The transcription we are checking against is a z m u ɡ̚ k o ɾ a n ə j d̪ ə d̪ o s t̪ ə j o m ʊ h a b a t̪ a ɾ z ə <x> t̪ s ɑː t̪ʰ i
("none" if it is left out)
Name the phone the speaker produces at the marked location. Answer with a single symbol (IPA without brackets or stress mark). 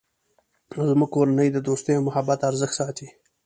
x